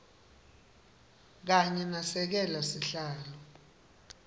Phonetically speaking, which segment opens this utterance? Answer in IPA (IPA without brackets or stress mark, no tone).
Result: k̬